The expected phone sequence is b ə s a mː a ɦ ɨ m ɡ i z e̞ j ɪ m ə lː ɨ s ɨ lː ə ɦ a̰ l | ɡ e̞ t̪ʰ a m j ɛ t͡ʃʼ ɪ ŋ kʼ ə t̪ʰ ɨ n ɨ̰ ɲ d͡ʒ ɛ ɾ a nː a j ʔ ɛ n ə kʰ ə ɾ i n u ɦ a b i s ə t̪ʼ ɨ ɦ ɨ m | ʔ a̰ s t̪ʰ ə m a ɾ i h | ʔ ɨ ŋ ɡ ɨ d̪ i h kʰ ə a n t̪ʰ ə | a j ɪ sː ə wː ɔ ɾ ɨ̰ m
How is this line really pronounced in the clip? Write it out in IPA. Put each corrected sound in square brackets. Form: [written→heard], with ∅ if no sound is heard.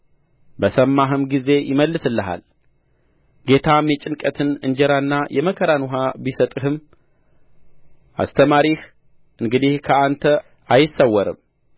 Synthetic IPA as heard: b ə s [a→ə] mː a ɦ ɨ m ɡ i z e̞ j ɪ m ə lː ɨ s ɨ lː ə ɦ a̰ l | ɡ e̞ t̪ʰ a m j ɛ t͡ʃʼ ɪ [ŋ→n] kʼ ə t̪ʰ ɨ n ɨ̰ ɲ d͡ʒ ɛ ɾ a nː a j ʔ ɛ [n→m] ə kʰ ə ɾ [i→a] n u ɦ a b i s ə t̪ʼ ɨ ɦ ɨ m | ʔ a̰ s t̪ʰ ə m a ɾ i h | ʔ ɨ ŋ ɡ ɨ d̪ i h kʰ ə a n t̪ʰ ə | a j ɪ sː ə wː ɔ ɾ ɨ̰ m